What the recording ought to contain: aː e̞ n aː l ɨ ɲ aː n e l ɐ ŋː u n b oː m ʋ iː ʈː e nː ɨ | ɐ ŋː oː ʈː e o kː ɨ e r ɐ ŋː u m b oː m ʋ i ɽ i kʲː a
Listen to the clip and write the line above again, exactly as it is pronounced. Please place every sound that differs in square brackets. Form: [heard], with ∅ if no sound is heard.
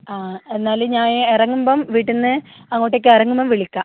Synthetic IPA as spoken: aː e̞ [nː] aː l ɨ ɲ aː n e [r] ɐ ŋː u [m] b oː m ʋ iː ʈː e nː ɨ | ɐ ŋː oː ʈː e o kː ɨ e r ɐ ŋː u m b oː m ʋ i [ɭ] i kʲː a